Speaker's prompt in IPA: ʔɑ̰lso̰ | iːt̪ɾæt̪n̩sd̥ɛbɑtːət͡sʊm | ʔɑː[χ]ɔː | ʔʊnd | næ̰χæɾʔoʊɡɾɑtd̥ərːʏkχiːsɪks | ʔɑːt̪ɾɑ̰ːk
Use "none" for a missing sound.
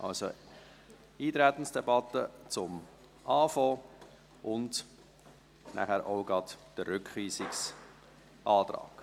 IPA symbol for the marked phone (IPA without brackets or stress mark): f